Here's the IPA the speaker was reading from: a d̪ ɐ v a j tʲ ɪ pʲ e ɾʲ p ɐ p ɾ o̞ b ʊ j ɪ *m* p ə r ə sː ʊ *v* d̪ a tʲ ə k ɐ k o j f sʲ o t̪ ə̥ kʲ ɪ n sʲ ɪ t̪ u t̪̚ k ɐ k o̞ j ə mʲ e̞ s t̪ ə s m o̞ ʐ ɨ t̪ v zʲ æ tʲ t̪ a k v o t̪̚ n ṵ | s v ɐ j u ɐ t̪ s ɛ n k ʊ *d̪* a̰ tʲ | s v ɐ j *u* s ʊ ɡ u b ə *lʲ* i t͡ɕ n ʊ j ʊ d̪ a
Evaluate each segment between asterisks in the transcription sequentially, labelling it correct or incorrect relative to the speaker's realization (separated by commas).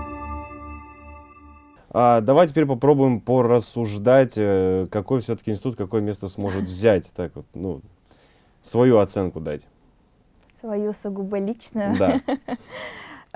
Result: correct, incorrect, correct, correct, correct